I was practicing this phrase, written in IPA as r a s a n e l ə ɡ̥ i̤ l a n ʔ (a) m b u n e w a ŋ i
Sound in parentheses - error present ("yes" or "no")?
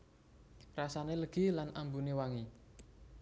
no